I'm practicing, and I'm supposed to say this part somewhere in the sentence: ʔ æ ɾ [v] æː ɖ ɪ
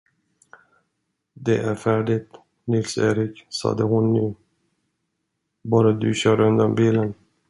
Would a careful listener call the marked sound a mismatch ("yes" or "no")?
yes